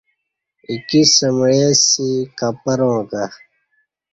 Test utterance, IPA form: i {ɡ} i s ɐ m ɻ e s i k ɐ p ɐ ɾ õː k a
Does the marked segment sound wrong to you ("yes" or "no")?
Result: yes